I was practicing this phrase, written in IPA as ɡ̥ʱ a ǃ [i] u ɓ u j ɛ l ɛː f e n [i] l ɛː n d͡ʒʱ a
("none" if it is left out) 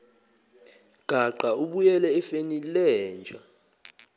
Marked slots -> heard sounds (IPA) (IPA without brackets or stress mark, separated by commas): a, i